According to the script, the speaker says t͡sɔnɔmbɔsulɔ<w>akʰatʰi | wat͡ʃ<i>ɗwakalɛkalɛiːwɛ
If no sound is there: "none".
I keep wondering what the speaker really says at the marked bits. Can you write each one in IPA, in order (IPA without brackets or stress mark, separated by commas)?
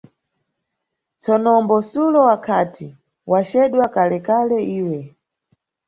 w, ɛ